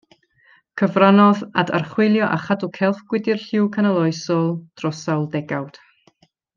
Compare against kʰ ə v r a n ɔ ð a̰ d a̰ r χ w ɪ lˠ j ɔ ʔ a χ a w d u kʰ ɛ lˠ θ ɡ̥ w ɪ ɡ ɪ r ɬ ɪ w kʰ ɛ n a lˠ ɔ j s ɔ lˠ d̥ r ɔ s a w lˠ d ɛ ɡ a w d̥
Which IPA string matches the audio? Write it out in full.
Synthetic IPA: kʰ ə v r a n ɔ ð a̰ d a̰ r χ w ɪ lˠ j ɔ ʔ a χ a d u kʰ ɛ lˠ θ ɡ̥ w ɪ d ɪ r ɬ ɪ w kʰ a n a lˠ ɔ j s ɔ lˠ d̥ r ɔ s a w lˠ d ɛ ɡ a w d̥